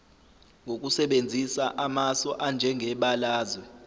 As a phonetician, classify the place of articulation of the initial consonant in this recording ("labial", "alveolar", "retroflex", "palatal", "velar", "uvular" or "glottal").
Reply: velar